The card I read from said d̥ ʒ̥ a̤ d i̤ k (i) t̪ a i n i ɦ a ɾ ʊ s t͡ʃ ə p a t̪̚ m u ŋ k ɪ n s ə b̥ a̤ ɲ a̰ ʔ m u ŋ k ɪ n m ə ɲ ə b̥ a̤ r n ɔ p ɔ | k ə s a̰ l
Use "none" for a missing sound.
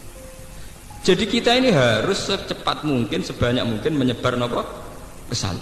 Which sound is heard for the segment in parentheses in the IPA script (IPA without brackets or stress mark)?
i